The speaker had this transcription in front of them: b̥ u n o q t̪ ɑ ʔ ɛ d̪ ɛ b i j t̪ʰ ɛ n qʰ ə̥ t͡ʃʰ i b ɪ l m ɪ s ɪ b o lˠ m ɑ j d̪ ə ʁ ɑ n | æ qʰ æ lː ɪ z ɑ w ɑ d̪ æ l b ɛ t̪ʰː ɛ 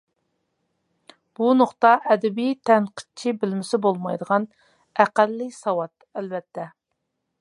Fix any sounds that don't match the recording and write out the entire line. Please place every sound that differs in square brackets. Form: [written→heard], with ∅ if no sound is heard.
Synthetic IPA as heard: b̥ u n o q t̪ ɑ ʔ ɛ d̪ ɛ b i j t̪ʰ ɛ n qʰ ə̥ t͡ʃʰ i b ɪ l m ɪ s ɪ b o lˠ m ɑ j d̪ ə ʁ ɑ n | æ [qʰ→q] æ lː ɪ [z→s] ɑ w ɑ [d̪→t̪] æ l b ɛ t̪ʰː ɛ